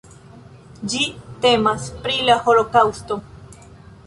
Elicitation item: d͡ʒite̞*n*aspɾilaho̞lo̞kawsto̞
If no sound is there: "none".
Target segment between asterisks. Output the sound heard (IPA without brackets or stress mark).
m